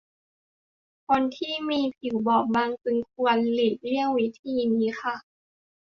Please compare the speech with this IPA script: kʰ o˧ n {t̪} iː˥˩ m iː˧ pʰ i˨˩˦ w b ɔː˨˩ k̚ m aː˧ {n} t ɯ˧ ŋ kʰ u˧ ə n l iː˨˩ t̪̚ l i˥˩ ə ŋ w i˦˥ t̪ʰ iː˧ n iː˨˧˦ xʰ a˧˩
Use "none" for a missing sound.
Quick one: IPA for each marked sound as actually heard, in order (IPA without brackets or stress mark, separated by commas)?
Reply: t̪ʰ, ŋ